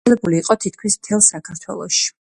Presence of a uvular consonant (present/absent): present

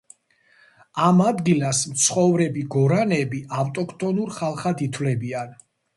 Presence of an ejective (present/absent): present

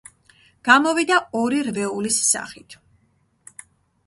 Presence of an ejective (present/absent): absent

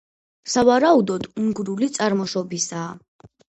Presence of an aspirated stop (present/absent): absent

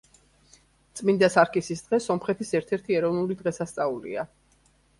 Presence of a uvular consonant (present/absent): present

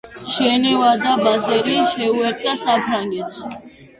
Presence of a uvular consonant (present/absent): absent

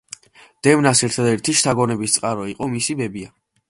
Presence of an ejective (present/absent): present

